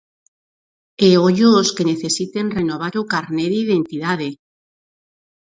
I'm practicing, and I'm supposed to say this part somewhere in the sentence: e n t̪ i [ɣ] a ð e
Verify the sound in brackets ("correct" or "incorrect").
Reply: incorrect